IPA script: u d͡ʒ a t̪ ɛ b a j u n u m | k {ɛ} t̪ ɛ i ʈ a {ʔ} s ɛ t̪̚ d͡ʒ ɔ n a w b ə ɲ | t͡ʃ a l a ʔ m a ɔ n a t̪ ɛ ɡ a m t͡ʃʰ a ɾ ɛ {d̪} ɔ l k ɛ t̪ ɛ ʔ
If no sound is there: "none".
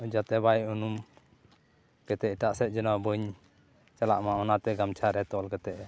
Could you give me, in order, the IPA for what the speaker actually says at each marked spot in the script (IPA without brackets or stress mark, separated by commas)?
ɛ, ʔ, t̪